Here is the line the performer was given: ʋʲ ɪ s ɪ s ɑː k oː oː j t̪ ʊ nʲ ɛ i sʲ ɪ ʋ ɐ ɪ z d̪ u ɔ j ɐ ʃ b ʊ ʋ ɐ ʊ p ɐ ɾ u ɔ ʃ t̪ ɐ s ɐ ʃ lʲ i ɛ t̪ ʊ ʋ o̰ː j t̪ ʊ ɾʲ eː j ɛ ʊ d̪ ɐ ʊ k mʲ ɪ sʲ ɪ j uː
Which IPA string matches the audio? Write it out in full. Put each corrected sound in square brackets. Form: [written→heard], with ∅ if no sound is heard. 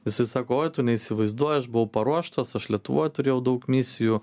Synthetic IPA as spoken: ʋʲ ɪ s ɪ s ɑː k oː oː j t̪ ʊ nʲ ɛ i sʲ ɪ ʋ ɐ ɪ z d̪ u ɔ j ɐ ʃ b ʊ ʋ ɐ ʊ p ɐ ɾ u ɔ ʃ t̪ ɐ s ɐ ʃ lʲ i ɛ t̪ ʊ ʋ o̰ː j t̪ ʊ ɾʲ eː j ɛ ʊ d̪ ɐ ʊ k mʲ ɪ sʲ ɪ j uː